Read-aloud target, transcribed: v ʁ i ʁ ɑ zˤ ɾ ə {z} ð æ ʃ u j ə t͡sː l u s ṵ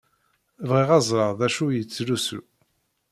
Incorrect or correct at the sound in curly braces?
incorrect: ʁ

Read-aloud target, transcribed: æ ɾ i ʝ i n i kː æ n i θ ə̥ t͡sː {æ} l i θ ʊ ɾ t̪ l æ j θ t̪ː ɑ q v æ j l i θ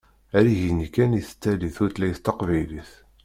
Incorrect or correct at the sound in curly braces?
correct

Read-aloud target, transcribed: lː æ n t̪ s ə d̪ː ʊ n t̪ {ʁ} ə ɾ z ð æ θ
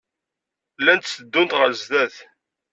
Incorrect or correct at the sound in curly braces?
correct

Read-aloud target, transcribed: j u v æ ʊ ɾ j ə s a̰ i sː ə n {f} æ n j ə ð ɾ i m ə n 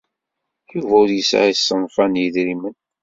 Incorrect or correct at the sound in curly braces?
correct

